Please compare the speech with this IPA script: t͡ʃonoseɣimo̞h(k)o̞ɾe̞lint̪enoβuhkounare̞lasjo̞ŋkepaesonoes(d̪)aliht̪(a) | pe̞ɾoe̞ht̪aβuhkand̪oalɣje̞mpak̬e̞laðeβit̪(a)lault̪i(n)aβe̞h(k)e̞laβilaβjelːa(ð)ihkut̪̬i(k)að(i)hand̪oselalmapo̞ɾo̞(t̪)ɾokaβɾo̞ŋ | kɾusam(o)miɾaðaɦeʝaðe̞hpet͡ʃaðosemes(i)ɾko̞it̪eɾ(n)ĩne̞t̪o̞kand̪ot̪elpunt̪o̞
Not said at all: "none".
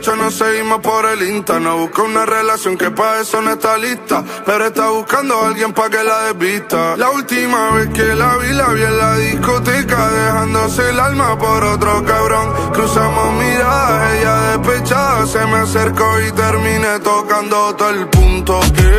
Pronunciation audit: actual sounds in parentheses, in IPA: p, t̪, a, a, m, k, ð, k, e, t̪, o, e, m

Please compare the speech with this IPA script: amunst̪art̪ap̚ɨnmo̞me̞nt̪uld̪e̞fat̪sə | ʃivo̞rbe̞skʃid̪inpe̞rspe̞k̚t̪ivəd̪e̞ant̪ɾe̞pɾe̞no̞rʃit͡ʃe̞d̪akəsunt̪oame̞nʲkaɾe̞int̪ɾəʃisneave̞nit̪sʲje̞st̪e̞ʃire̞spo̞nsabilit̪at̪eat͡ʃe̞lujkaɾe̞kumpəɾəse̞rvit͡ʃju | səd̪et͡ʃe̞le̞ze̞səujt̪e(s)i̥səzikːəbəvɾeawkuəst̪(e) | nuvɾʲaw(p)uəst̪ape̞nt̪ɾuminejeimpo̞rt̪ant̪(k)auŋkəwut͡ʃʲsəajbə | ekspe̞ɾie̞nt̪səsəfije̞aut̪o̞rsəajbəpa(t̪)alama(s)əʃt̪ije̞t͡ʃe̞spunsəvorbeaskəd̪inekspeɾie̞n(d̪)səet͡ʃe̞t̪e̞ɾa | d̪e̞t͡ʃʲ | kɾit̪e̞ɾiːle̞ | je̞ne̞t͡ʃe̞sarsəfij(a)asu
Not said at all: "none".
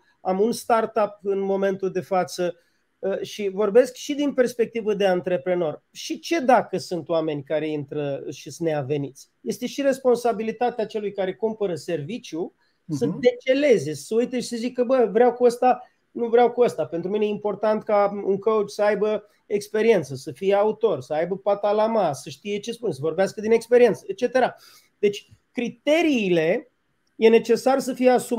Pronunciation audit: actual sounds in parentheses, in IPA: ʃ, a, k, k, t̪, s, t̪, e

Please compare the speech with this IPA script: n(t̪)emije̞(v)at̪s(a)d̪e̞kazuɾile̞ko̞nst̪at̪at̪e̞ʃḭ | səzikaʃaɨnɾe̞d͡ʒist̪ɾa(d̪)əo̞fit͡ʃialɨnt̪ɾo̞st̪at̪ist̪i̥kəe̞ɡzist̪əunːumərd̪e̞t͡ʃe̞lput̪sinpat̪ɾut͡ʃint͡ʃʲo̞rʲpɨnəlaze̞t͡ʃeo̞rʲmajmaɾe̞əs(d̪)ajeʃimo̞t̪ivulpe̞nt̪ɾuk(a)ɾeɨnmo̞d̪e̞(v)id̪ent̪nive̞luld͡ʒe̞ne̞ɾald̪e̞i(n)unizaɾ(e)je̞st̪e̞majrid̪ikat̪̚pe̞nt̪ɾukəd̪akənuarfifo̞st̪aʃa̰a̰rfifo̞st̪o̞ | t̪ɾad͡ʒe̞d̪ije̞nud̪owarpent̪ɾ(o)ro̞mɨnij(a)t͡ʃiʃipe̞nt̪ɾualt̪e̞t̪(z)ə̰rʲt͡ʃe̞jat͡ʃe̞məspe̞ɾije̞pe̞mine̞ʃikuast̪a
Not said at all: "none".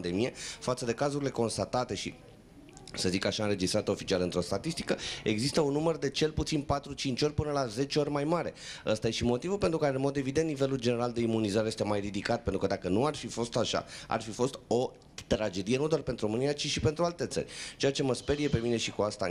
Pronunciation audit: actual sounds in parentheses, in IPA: d̪, f, ə, t̪, t̪, a, v, m, e, u, a, s

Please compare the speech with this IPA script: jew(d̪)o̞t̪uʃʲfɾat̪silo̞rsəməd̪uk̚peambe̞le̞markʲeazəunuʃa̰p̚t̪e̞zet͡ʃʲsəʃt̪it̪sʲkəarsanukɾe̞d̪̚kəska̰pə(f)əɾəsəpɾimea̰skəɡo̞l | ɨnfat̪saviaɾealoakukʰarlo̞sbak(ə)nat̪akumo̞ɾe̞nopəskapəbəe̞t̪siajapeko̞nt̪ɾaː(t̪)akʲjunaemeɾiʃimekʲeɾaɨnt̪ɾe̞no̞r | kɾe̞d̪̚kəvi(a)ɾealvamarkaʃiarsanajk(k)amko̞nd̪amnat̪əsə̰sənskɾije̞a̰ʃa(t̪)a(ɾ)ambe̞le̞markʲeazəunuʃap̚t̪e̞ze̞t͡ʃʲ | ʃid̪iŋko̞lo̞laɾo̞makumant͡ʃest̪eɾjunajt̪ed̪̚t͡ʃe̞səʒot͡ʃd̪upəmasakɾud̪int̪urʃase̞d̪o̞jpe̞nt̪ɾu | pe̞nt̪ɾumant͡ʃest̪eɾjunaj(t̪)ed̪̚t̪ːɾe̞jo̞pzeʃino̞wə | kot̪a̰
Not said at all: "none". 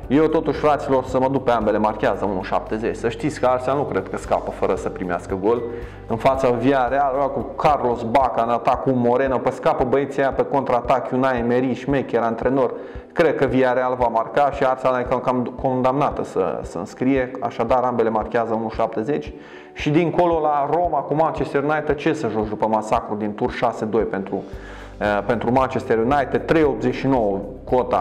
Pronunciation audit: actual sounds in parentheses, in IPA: t̪, f, a, t̪, a, k, d̪, ɾ, t̪

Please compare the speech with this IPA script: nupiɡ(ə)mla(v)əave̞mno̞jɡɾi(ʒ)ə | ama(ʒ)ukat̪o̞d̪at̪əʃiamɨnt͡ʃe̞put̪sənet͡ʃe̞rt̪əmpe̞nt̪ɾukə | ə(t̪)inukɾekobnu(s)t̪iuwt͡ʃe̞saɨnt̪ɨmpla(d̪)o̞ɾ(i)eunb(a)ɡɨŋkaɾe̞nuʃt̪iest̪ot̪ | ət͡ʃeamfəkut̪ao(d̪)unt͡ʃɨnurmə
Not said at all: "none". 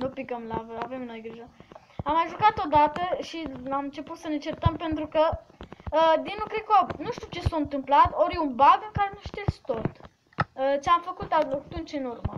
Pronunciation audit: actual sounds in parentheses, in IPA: ə, v, ʒ, ʒ, d̪, ʃ, t̪, j, a, t̪

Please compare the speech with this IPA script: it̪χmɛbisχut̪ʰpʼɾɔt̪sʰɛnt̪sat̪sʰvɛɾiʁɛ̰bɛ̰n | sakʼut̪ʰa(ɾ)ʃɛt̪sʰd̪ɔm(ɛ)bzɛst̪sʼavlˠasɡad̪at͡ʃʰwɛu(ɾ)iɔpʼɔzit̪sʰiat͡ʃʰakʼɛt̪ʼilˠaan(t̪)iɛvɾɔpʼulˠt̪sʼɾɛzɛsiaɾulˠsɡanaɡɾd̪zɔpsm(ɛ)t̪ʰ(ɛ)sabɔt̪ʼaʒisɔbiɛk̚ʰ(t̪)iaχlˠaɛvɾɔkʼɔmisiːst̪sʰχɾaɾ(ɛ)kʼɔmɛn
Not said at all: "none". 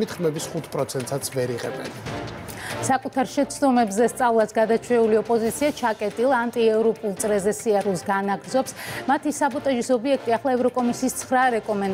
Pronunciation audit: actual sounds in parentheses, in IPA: ɾ, ɛ, l, t̪ʼ, a, i, t̪ʼ, ɛ

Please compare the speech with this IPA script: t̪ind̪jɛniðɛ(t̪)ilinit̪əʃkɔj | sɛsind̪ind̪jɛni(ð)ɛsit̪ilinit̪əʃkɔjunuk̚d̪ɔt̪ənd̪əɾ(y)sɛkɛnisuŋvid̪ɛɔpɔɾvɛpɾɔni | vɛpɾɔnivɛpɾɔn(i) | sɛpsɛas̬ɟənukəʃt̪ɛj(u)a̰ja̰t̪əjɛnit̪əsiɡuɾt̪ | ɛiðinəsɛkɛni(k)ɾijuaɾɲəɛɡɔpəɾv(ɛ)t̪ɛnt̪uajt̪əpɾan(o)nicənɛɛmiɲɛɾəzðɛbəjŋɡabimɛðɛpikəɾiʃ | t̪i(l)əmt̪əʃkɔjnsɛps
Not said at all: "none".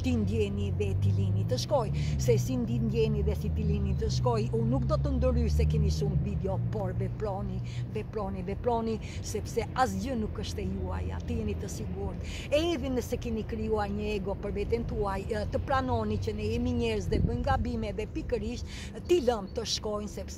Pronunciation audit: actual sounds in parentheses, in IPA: t̪, ð, y, i, u, k, ɛ, ɔ, l

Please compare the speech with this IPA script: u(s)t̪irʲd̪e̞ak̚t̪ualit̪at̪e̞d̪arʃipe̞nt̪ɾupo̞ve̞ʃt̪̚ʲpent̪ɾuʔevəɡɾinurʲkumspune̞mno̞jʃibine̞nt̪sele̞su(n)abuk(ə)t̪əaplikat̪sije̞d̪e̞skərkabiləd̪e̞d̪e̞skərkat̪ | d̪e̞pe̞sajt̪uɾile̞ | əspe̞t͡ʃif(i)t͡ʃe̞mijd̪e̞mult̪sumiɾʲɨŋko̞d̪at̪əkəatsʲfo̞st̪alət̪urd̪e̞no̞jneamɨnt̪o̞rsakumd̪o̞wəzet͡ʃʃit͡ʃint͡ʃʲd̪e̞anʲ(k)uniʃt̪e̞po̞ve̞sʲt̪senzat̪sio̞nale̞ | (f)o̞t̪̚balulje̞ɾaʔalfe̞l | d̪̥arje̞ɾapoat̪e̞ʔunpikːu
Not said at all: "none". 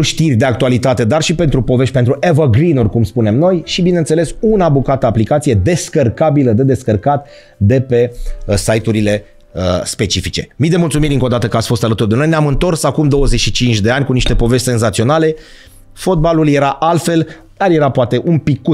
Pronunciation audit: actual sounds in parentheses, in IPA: ʃ, n, a, i, k, f

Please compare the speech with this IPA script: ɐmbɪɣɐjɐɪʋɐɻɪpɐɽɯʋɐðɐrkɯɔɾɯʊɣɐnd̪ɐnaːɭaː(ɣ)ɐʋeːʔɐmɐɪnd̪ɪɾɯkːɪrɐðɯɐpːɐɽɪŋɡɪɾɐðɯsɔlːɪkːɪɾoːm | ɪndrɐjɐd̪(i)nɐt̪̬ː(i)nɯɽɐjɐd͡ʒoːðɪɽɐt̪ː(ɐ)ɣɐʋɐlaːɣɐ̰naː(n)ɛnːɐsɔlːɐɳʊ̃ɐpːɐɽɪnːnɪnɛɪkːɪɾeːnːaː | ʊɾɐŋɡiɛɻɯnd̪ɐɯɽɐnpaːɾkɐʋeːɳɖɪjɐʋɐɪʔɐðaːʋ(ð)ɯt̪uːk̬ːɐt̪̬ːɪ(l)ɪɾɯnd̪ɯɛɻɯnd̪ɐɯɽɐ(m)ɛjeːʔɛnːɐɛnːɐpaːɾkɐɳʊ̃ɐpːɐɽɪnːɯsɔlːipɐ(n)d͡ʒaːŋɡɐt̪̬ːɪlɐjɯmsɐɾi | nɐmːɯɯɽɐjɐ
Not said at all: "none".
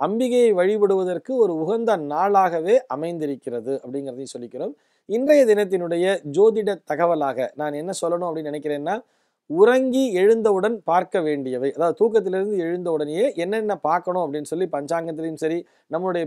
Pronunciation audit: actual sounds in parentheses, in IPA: ɣ, ɪ, ɪ, ɐ, n, ð, l, n, ɲ

